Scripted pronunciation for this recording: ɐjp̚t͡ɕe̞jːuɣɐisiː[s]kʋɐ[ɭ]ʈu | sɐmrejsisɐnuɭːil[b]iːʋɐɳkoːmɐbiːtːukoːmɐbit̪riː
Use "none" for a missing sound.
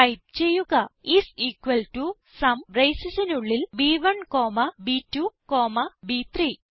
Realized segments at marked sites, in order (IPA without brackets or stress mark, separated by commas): none, l, b